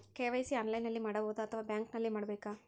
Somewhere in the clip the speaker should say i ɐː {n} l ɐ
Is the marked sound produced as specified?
yes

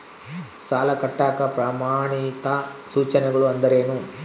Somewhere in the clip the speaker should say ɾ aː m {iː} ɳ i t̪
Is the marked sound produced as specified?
no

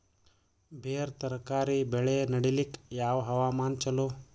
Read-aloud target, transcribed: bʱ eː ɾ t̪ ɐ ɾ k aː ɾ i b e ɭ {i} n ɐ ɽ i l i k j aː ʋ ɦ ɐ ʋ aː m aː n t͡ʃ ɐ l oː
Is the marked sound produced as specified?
no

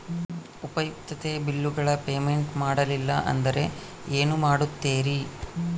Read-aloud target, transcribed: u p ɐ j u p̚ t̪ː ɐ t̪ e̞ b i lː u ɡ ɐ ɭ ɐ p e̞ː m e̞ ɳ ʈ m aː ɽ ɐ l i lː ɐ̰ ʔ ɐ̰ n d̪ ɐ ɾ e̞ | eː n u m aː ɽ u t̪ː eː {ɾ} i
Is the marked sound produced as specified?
yes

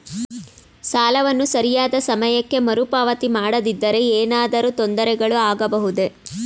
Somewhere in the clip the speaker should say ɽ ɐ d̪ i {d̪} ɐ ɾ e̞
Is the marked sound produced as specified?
no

